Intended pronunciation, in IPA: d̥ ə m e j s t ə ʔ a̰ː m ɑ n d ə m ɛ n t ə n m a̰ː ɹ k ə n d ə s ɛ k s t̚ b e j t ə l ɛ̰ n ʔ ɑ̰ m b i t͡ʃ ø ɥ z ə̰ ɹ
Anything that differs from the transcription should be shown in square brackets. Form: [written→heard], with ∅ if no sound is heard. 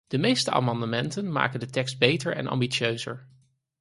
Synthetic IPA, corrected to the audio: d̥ ə m e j s t ə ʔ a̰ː m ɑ n d ə m ɛ n t ə n m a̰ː [ɹ→∅] k ə n d ə [s→t] ɛ k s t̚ b e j t ə [l→ɹ] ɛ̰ n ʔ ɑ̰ m b i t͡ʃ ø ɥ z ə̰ ɹ